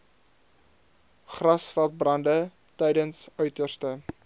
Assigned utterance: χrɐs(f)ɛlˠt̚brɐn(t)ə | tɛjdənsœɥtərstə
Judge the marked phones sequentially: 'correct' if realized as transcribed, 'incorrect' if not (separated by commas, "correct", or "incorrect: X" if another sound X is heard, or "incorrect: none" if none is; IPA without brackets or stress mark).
correct, incorrect: d